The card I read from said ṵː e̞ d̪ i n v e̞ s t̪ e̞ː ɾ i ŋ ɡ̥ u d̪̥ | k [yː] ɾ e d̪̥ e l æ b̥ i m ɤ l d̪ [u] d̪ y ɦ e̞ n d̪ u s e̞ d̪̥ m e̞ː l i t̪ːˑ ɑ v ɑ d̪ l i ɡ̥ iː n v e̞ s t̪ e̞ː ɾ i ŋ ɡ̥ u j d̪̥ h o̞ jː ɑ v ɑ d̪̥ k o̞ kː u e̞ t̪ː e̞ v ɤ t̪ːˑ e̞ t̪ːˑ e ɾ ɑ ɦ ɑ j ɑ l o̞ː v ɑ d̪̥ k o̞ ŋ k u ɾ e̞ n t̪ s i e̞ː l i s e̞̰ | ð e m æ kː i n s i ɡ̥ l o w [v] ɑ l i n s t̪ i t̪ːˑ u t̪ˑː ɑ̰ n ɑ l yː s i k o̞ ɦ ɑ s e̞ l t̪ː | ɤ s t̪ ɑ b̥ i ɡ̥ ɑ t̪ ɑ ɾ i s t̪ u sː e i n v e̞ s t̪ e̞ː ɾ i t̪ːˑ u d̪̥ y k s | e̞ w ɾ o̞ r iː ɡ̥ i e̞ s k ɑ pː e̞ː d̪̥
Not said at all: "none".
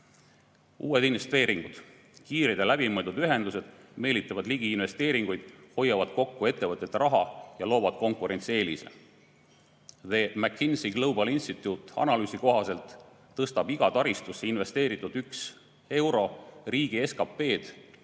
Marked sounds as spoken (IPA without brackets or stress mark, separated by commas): iː, u, b